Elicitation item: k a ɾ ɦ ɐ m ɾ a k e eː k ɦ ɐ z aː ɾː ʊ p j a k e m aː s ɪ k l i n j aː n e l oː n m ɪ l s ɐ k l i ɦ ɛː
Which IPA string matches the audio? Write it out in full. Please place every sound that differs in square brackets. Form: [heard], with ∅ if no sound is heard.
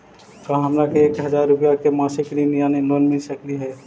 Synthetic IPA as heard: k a [∅] ɦ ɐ m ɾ a k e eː k ɦ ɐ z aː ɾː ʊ p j a k e m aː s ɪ k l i n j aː n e l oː n m ɪ l s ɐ k l i ɦ ɛː